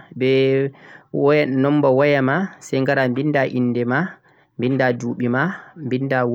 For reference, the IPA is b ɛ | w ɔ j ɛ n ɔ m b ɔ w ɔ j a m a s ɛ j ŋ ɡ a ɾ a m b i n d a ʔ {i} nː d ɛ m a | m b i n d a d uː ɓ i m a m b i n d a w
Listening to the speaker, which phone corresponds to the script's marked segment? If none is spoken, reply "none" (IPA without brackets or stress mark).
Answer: i